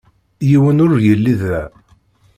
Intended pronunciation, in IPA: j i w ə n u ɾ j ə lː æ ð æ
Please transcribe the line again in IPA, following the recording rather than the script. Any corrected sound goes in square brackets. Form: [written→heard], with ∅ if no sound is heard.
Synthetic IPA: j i w ə n [u→ʊ] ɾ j ə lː [æ→i] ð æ